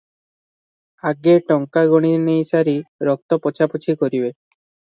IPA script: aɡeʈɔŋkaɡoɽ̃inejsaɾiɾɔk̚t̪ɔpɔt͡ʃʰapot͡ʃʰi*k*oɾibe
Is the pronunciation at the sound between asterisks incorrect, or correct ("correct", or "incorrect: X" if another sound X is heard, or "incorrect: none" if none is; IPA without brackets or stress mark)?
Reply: correct